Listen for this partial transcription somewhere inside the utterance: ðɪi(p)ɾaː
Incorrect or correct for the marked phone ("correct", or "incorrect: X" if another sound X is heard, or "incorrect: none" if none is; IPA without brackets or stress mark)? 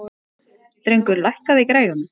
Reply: incorrect: k